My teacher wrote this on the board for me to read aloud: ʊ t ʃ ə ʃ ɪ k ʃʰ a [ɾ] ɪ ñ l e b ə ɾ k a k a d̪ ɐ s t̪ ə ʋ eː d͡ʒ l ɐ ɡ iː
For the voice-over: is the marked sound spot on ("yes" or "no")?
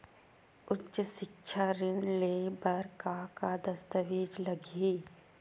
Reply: yes